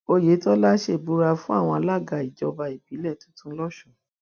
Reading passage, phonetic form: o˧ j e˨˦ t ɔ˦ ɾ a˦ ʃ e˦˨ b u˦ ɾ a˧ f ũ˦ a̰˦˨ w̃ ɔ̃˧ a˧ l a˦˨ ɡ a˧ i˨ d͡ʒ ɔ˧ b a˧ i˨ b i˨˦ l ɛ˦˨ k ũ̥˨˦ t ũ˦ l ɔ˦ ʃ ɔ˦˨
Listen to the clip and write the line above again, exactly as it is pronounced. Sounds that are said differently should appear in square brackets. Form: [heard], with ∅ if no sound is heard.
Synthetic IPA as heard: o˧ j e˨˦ t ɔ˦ [l] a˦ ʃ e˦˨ b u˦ ɾ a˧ f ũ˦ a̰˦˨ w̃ ɔ̃˧ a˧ l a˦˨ ɡ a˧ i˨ d͡ʒ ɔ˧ b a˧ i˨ b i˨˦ l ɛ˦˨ [t] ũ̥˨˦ t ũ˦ l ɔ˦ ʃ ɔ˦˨